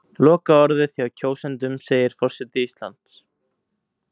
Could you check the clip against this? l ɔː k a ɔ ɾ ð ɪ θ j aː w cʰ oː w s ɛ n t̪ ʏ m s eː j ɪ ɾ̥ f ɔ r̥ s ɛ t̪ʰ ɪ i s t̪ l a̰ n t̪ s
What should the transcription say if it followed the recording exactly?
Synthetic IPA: l ɔː k a ɔ ɾ ð ɪ θ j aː w cʰ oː w s ɛ n t̪ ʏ m s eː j ɪ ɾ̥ f ɔ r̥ s ɛ t̪ ɪ i s t̪ l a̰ n t̪ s

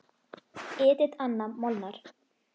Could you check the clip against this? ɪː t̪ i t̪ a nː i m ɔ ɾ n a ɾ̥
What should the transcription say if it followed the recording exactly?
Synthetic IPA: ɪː t̪ ɪ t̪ a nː a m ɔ l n a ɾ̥

